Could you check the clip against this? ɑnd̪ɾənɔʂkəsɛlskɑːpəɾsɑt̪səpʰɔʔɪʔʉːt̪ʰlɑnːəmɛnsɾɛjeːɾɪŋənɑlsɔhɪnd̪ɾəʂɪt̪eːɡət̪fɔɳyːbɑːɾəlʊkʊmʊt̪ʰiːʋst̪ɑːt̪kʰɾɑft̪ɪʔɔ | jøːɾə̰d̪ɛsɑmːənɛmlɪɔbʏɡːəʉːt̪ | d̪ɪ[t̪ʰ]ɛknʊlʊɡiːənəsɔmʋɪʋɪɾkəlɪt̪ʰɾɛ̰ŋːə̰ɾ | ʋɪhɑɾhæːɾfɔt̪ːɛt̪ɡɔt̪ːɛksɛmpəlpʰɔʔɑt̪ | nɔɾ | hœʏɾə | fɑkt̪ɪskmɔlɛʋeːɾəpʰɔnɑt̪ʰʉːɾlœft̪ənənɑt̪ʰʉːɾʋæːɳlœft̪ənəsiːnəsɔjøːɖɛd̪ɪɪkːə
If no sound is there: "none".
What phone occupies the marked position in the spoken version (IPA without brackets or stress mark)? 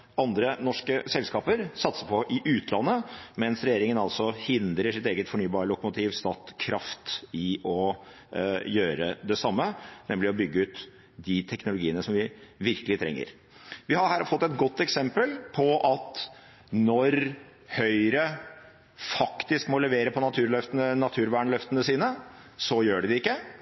t̪ʰ